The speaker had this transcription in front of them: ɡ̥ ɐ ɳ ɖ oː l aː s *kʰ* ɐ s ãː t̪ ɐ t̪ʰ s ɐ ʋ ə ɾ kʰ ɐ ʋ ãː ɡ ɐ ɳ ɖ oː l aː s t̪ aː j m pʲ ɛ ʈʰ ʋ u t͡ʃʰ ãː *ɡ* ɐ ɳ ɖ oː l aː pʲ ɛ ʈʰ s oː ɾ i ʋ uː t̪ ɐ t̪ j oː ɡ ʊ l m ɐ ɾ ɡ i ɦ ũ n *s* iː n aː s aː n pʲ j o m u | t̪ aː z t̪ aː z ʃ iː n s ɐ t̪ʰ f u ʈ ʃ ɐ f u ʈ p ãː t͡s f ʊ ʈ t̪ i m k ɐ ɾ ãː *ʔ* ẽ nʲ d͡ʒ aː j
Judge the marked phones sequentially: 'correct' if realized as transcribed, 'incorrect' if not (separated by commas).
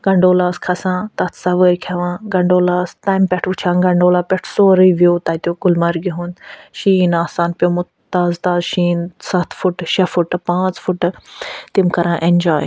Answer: correct, correct, incorrect, correct